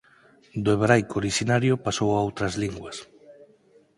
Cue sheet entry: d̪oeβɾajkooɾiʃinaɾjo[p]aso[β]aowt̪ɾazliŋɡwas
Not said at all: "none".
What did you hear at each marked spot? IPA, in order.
p, w

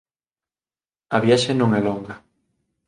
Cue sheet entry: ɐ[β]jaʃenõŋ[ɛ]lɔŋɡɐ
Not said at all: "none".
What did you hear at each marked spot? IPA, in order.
β, ɛ

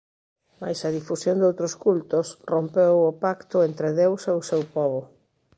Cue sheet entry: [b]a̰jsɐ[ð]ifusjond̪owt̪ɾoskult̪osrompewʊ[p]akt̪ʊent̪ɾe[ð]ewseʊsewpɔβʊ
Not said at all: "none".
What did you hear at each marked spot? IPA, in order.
m, ð, p, ð

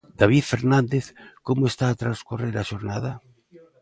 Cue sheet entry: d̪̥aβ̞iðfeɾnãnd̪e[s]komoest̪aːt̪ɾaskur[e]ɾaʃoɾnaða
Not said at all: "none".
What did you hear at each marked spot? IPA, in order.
θ, e

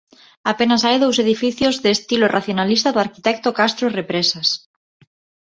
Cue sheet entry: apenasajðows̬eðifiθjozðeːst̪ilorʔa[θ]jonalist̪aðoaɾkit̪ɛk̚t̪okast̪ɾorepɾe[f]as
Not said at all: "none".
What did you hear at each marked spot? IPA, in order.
θ, s

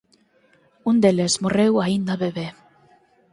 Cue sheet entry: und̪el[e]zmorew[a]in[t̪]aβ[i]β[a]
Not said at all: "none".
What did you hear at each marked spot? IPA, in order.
e, a, d̪, e, e

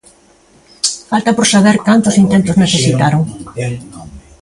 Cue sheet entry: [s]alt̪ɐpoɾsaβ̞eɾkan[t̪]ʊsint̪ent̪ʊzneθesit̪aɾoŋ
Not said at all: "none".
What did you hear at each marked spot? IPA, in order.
f, t̪

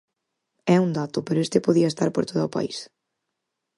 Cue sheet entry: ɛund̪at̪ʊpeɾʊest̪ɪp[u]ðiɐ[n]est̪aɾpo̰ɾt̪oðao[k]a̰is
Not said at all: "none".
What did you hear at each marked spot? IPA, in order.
o, none, p

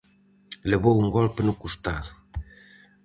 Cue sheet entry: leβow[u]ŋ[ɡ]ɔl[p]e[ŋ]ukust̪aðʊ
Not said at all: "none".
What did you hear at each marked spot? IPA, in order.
u, ɡ, p, n

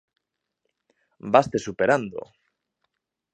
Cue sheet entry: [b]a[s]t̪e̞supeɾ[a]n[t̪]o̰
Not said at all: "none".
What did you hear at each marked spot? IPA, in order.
b, s, a, d̪

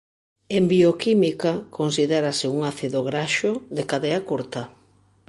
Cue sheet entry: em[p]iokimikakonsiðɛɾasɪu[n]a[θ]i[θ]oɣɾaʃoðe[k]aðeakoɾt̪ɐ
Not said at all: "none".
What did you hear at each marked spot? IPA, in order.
b, ŋ, θ, ð, k

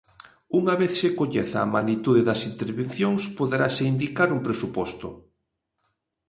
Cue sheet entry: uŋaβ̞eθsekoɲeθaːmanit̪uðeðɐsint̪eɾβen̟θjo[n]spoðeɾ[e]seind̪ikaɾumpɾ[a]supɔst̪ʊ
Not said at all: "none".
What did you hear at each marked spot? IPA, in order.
ŋ, a, e

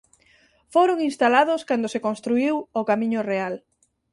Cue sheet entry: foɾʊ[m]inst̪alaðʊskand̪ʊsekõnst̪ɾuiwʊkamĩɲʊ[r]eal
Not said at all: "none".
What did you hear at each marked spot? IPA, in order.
ŋ, r

